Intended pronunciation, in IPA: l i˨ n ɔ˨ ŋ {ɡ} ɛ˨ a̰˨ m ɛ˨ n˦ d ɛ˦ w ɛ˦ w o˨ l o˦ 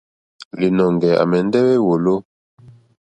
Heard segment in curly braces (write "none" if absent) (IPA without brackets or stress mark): ɡ